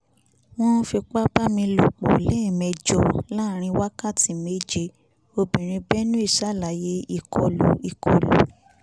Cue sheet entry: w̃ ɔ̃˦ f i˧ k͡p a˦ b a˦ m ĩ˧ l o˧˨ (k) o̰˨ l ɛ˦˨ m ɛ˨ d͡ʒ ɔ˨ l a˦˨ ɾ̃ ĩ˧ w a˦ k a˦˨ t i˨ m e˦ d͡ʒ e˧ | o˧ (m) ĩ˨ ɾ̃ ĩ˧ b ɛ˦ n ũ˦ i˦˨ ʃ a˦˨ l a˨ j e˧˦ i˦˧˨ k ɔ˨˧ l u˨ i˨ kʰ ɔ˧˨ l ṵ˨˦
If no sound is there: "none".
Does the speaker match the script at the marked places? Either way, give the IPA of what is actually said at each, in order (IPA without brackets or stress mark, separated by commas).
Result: k͡p, b